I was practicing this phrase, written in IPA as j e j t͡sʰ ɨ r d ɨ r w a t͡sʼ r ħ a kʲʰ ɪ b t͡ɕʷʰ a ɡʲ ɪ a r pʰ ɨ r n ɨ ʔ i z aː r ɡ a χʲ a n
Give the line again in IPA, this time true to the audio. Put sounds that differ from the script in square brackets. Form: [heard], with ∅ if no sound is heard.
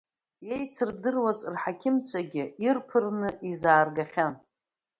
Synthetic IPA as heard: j e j t͡sʰ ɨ r d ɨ r w a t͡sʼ r ħ a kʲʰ ɪ [m] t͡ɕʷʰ a ɡʲ ɪ [i] r pʰ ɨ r n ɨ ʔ i z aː r ɡ a χʲ a n